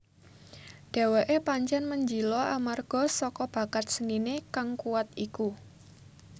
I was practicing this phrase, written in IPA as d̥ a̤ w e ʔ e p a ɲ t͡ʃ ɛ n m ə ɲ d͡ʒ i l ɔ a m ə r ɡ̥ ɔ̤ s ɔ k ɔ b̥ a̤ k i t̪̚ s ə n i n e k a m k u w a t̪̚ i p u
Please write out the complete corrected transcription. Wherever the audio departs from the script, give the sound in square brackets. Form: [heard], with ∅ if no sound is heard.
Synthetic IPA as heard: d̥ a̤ w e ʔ e p a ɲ t͡ʃ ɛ n m ə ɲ d͡ʒ i l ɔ a m [a] r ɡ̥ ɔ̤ s ɔ k ɔ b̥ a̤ k [a] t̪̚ s ə n i n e k a [ŋ] k u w a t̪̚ i [k] u